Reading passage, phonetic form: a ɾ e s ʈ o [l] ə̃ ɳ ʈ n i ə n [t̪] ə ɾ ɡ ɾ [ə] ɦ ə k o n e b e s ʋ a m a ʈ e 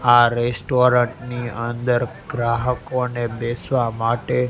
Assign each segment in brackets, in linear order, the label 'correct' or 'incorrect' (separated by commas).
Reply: incorrect, incorrect, incorrect